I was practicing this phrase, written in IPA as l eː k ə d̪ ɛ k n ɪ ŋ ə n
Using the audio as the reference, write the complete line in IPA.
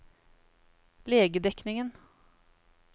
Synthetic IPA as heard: l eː ɡ ə d̪ ɛ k n ɪ ŋ ə n

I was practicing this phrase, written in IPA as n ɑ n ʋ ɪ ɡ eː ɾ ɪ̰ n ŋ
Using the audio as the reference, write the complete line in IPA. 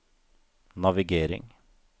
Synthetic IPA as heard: n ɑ ʋ ɪ ɡ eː ɾ ɪ̰ ŋ

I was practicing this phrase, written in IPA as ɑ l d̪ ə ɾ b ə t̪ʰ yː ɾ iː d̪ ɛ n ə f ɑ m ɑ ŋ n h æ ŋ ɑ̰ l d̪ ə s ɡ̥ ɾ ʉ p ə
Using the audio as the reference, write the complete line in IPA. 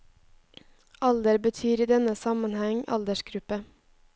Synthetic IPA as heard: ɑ l d̪ ə ɾ b ə t̪ʰ yː ɾ iː d̪ ɛ n ə s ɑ m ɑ n h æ ŋ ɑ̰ l d̪ ə ʃ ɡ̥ ɾ ʉ p ə

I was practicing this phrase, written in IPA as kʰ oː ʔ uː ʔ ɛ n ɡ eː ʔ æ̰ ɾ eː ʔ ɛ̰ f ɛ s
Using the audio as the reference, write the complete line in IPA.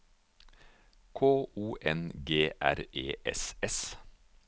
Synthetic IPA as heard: kʰ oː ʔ uː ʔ ɛ n ɡ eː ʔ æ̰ ɾ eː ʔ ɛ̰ s ɛ s

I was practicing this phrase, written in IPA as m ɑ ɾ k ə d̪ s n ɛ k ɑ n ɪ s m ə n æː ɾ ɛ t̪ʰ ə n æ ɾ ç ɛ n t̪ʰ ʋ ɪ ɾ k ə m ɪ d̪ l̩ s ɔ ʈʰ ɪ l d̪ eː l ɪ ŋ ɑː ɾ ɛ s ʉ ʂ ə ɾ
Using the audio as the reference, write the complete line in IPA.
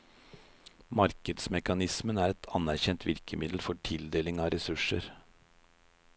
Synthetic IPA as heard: m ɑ ɾ k ə d̪ s m ɛ k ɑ n ɪ s m ə n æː ɾ ɛ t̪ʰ ɑ n æ ɾ ç ɛ n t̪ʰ ʋ ɪ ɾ k ə m ɪ d̪ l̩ f ɔ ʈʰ ɪ l d̪ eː l ɪ ŋ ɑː ɾ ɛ s ʉ ʂ ə ɾ

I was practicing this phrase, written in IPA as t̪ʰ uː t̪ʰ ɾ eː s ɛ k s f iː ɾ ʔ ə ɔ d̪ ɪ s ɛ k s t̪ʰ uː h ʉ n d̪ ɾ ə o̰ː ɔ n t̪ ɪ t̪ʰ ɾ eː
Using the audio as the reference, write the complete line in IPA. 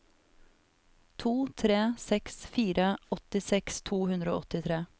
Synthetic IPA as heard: t̪ʰ uː t̪ʰ ɾ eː s ɛ k s f iː ɾ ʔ ə ɔ t̪ ɪ s ɛ k s t̪ʰ uː h ʉ n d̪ ɾ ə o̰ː ɔ t̪ ɪ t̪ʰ ɾ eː

